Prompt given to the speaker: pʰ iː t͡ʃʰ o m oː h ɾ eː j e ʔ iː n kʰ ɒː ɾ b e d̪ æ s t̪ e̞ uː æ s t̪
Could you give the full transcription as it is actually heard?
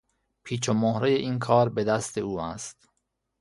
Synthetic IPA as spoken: pʰ iː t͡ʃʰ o m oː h ɾ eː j e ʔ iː n kʰ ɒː ɾ b e d̪ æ s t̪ e̞ uː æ s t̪